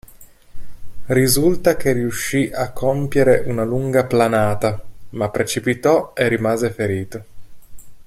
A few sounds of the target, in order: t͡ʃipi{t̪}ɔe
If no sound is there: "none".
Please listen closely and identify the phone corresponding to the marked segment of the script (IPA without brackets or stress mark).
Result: t̪